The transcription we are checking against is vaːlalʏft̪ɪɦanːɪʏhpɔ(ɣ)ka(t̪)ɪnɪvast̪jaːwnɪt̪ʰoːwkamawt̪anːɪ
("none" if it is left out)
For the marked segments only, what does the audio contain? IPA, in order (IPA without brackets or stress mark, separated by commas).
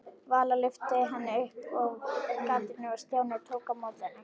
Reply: ɣ, t̪